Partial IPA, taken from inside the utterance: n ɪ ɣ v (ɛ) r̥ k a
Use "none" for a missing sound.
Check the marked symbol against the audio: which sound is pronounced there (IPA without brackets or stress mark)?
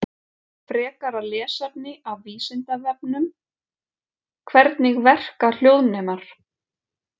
ɛ